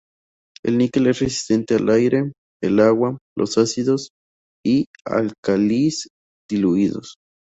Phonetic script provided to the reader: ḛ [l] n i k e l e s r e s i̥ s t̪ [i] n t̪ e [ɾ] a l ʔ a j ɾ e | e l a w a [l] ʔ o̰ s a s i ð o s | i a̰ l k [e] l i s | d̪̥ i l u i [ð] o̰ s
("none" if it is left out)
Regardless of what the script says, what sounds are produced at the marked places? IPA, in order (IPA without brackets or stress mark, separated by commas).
l, e, none, l, a, ð